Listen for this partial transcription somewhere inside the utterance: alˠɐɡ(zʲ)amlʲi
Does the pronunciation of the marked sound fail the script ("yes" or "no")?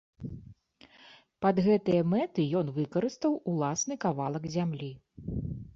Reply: no